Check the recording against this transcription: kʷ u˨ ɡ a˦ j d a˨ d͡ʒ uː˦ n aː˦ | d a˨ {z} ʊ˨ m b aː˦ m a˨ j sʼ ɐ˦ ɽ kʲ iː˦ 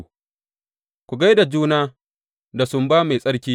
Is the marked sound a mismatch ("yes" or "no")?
yes